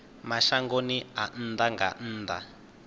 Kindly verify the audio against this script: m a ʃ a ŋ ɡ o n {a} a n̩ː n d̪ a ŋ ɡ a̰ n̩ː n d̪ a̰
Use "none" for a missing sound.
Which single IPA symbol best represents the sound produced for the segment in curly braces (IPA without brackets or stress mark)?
i